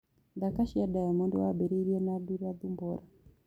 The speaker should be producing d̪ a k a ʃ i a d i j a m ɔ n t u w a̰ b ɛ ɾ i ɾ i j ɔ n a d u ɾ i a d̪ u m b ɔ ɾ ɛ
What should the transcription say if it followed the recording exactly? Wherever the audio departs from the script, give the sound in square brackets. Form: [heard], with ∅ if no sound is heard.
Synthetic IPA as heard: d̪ a k a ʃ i a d [a] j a m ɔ n [d] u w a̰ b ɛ ɾ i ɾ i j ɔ n a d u ɾ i a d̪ u m b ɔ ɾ [a]